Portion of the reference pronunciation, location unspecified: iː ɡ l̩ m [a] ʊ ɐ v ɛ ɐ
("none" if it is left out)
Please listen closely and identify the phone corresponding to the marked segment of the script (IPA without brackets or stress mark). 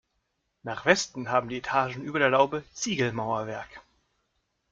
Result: a